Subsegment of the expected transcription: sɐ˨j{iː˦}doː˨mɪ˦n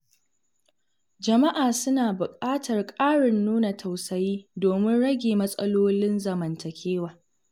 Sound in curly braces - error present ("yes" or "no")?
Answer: no